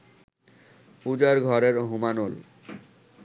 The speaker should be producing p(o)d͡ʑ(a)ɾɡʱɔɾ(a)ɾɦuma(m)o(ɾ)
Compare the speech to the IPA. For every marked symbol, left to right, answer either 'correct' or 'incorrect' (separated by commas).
incorrect, correct, incorrect, incorrect, incorrect